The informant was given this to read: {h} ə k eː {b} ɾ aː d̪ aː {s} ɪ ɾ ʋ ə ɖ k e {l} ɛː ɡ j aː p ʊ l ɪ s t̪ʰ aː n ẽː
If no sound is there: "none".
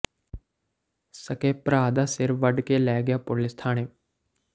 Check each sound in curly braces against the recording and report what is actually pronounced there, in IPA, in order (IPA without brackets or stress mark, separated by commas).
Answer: s, p, s, l